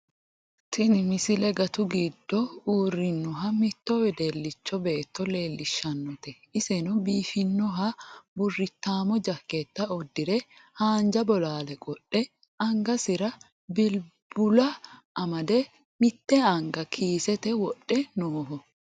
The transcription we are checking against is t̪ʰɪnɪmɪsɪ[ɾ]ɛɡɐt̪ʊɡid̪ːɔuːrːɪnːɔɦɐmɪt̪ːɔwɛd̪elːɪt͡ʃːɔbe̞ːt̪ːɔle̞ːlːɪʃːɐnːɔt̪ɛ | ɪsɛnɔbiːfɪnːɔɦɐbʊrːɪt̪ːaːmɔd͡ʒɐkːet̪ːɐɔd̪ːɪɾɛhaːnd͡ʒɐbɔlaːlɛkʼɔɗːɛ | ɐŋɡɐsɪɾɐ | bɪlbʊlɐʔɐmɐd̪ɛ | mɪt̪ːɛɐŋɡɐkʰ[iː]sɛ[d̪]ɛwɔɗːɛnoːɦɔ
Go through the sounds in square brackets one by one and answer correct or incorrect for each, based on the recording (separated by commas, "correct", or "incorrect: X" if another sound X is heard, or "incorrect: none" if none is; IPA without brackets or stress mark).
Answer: incorrect: l, correct, incorrect: t̪